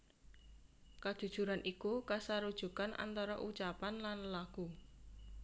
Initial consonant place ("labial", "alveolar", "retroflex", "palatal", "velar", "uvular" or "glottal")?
velar